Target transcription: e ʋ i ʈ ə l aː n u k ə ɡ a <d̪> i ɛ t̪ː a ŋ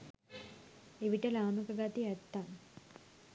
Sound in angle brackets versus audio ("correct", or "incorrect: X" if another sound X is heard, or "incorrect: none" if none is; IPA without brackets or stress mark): incorrect: t̪